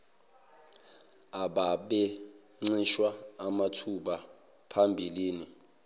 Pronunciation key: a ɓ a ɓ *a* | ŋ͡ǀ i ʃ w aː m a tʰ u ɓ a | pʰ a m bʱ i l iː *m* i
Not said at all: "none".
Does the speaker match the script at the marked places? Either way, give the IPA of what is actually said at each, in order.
ɛ, n

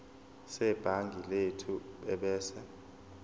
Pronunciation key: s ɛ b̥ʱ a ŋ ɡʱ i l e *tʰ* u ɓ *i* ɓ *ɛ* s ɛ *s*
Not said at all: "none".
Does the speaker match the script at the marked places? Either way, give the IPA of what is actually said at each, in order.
tʰ, ɛ, ɛː, none

